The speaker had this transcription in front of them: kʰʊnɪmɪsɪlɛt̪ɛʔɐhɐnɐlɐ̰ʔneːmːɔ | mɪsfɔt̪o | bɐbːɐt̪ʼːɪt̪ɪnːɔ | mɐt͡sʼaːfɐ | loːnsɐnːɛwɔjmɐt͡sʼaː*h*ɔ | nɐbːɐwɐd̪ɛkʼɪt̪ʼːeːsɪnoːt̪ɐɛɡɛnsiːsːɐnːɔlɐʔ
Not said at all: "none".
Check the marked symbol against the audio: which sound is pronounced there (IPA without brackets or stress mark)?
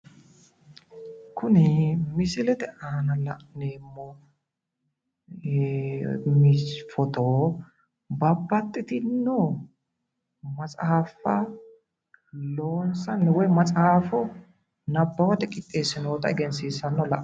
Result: f